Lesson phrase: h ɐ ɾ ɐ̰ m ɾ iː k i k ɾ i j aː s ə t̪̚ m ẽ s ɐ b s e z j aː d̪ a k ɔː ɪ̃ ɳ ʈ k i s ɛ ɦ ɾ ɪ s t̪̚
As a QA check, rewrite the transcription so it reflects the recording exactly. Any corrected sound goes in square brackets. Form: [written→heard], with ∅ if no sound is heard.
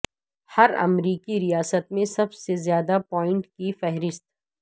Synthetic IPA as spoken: h ɐ ɾ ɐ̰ m ɾ iː k i [k→∅] ɾ i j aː s ə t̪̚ m ẽ s ɐ b s e z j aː d̪ a [k→p] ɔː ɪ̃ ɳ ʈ k i [s→f] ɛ ɦ ɾ ɪ s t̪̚